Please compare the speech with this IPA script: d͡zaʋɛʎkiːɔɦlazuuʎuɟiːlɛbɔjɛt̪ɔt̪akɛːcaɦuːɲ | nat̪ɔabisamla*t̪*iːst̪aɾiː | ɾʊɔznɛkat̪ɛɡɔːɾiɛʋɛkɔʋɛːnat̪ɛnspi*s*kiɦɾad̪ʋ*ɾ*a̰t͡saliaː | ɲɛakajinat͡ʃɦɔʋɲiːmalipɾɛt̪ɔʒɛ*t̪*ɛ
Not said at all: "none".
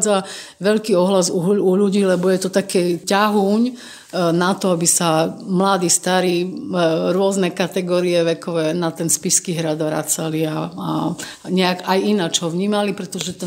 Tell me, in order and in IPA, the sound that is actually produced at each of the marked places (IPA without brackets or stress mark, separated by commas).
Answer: d̪, s, ɾ, t̪